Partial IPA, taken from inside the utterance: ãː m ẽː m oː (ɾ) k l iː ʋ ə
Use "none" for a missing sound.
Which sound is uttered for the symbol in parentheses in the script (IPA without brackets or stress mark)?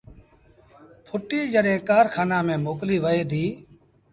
none